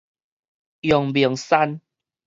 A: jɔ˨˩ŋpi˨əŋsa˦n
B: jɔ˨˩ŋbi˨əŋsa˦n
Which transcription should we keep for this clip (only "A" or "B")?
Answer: B